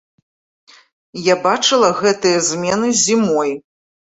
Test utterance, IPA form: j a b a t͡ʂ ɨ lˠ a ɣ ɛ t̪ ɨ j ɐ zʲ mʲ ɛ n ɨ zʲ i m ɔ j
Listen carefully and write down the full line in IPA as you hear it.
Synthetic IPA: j a b a t͡ʂ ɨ lˠ ɐ ɣ ɛ t̪ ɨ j ɐ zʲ mʲ ɛ n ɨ zʲ i m ɔ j